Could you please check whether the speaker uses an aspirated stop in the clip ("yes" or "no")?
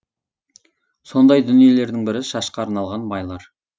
no